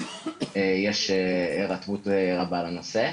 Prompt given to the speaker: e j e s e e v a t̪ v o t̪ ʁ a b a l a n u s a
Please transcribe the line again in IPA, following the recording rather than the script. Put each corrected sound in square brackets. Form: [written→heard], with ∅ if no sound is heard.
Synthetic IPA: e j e [s→ʃ] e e [v→ʁ] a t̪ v [o→u] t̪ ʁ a b a l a n [u→o] s [a→e]